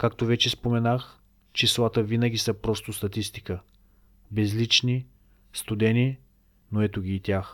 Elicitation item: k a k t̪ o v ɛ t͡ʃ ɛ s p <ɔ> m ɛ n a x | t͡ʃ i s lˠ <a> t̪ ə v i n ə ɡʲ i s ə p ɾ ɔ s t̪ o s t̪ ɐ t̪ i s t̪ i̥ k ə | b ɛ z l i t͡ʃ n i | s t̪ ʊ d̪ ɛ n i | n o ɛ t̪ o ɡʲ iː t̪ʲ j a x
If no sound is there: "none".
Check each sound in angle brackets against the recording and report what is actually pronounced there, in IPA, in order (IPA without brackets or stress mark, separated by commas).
o, a